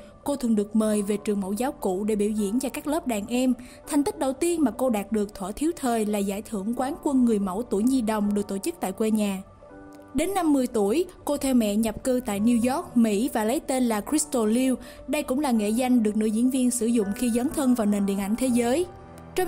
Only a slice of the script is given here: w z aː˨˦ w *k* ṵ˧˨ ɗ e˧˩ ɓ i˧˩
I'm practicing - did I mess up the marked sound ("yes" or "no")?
no